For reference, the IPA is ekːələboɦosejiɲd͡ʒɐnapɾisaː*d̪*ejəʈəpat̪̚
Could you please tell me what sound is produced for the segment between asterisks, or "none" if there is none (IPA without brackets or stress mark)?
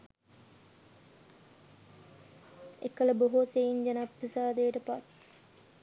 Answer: d̪